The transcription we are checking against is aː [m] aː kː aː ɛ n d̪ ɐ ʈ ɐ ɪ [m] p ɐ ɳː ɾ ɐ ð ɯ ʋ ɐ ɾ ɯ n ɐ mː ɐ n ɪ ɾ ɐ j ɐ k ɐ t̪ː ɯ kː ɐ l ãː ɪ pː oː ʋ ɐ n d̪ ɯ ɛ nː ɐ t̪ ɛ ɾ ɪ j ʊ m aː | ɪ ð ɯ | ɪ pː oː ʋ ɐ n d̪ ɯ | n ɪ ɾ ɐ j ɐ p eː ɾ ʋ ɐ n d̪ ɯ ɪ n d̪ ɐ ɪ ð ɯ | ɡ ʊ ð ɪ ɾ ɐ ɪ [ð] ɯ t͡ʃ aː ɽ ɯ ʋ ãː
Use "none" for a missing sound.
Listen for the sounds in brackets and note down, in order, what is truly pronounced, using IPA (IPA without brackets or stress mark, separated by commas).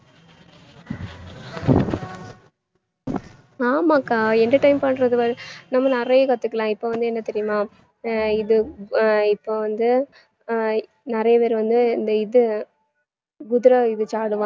m, m, ð